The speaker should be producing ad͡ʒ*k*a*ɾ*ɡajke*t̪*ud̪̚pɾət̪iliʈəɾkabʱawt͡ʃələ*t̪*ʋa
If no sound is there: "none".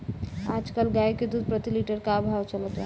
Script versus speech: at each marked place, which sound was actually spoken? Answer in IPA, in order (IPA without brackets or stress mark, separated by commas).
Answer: k, l, d̪, t̪